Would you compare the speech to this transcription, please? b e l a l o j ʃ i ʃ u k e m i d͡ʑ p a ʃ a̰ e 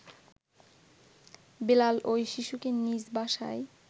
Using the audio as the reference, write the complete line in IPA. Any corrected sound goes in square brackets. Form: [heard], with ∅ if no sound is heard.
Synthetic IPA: b e l a l o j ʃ i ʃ u k e [n] i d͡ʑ [b] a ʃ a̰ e